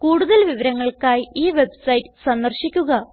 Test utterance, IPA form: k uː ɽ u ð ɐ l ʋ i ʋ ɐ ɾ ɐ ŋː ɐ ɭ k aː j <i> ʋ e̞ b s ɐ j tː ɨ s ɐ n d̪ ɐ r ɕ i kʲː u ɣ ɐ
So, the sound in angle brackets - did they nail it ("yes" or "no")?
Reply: no